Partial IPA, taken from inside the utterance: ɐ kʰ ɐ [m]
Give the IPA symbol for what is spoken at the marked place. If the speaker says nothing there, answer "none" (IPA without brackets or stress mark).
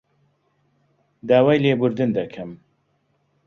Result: m